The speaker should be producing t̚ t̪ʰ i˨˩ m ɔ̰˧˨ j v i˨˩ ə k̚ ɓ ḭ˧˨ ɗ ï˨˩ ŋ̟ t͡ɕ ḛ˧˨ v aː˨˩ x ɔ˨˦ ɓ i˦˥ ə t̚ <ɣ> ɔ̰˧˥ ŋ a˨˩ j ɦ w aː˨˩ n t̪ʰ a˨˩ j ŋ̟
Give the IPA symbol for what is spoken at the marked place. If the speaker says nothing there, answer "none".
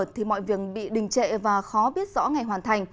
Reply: z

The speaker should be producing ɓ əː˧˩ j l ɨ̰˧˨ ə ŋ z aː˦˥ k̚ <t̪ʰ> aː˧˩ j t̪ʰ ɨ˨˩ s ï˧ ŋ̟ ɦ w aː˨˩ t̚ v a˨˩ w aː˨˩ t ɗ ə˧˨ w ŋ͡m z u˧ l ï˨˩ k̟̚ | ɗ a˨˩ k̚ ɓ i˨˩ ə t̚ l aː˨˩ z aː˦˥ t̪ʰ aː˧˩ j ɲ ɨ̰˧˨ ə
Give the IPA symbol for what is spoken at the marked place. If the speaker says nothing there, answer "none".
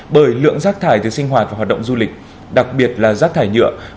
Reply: t̪ʰ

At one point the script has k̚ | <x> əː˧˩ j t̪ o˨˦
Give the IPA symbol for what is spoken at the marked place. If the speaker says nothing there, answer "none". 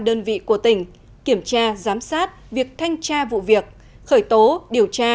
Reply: x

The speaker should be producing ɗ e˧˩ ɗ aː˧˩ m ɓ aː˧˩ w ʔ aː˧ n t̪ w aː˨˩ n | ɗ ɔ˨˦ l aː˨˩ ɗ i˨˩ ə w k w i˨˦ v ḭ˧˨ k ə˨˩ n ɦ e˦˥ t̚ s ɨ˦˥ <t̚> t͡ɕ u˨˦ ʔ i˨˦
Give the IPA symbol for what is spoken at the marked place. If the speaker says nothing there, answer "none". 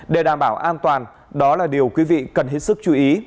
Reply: k̚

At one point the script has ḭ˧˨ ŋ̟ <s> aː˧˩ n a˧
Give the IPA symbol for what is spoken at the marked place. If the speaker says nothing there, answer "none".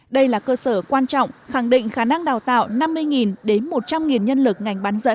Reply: x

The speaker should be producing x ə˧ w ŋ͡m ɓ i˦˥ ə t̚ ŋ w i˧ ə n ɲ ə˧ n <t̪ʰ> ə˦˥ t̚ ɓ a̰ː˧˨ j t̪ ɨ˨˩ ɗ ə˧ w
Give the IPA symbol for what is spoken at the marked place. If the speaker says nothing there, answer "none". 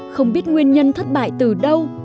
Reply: t̪ʰ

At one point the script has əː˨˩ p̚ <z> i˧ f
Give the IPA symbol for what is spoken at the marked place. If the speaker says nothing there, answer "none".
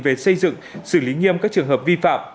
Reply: v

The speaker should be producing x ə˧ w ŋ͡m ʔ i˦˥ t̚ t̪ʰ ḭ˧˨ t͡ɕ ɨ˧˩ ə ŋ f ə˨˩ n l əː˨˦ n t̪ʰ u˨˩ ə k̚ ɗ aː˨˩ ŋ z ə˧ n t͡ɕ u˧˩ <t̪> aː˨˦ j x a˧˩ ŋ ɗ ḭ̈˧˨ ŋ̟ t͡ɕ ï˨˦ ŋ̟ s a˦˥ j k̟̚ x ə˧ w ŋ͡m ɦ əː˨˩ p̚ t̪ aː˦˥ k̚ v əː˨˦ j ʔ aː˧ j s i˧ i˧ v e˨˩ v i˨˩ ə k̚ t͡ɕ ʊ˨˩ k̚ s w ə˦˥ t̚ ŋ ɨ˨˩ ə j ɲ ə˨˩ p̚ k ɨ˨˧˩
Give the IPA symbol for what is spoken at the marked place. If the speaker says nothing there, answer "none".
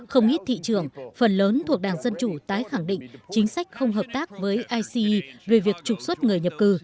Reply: t̪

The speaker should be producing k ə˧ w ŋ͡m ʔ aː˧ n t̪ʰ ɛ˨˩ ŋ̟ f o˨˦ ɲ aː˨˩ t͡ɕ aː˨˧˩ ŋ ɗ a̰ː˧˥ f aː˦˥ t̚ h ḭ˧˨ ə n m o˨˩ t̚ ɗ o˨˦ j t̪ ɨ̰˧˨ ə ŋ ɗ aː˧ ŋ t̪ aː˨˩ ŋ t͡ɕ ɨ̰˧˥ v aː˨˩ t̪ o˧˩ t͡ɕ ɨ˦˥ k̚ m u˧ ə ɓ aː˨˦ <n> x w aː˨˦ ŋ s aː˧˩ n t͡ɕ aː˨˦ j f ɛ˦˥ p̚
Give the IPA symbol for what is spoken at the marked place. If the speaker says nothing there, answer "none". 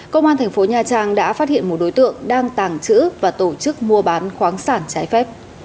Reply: n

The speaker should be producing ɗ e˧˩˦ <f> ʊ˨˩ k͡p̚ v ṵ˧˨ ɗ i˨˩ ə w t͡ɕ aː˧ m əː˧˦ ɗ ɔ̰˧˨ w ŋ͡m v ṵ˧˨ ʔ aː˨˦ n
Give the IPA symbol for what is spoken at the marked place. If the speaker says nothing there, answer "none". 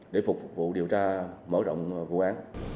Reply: f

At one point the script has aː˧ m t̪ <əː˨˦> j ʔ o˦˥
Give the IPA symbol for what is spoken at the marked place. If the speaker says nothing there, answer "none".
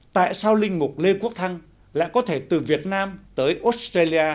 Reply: əː˨˦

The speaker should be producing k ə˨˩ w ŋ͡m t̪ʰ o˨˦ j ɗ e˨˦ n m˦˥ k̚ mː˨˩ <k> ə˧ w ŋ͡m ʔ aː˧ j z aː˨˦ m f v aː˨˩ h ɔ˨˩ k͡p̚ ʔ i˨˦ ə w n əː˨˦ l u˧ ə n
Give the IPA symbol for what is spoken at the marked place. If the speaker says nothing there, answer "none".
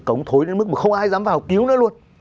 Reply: x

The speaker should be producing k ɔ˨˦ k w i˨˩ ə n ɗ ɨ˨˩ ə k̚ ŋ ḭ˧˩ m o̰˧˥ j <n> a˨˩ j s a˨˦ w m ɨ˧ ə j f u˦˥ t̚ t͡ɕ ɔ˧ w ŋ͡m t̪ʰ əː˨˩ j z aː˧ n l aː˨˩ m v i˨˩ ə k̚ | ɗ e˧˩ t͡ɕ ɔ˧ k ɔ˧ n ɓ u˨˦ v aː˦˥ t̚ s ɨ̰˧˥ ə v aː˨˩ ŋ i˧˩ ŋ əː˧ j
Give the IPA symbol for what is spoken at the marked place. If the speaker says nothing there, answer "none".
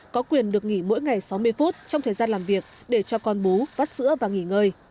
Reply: ŋ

